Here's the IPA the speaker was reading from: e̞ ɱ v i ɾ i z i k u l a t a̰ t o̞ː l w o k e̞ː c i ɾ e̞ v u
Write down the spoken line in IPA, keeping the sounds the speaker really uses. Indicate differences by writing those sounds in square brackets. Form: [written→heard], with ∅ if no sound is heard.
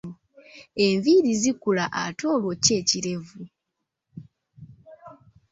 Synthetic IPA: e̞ ɱ v i ɾ i z i k u l a [t→ʔ] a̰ t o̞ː l w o [k→c] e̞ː c i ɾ e̞ v u